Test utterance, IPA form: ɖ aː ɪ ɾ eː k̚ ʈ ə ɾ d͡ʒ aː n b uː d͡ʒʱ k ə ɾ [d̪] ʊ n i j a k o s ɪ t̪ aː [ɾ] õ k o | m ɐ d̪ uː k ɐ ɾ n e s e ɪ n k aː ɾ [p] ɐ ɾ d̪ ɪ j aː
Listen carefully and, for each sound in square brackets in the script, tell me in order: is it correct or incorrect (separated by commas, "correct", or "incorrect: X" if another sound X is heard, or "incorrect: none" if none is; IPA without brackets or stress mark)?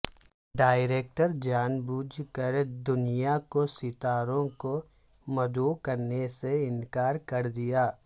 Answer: correct, correct, incorrect: k